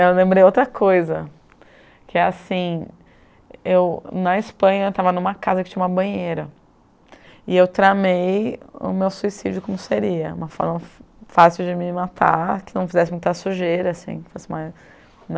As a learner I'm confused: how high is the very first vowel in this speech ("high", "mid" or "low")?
mid